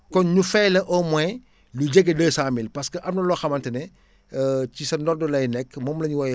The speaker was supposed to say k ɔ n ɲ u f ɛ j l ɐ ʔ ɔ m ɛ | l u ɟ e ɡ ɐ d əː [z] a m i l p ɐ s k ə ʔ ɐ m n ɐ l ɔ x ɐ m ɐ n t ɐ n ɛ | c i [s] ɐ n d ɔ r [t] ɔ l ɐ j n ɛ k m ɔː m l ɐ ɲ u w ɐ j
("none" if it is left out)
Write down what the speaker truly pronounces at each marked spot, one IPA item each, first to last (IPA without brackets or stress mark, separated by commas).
s, s, d